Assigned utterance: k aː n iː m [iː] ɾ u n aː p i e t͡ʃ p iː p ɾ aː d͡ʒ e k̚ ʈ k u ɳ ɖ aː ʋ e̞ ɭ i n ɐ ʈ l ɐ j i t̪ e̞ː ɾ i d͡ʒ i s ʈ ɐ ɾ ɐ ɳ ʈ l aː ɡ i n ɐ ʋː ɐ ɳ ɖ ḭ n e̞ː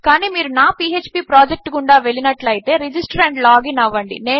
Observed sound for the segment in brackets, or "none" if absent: iː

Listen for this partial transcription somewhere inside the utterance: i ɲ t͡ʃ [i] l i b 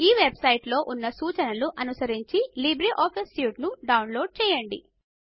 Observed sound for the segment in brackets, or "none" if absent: i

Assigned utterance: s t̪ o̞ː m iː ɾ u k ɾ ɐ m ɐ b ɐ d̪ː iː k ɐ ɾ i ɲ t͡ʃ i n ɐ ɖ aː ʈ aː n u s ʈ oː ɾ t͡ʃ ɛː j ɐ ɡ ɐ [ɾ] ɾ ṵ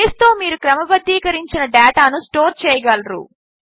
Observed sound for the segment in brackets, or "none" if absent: l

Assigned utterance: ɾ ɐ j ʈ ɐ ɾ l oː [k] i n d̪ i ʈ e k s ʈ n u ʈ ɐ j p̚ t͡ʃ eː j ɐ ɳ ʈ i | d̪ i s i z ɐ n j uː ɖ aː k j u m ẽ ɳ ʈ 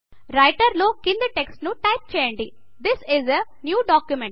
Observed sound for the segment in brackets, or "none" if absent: k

